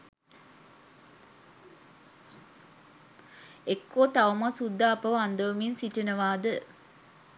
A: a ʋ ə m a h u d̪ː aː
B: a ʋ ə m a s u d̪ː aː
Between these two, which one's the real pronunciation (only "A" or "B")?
B